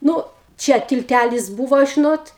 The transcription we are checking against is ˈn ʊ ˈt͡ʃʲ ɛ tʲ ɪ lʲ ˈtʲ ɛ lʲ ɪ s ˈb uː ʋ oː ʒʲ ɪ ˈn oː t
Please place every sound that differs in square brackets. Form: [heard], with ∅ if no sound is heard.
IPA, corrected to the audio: ˈn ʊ ˈt͡ʃʲ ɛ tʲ ɪ lʲ ˈtʲ [æ] lʲ ɪ s ˈb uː ʋ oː ʒʲ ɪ ˈn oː t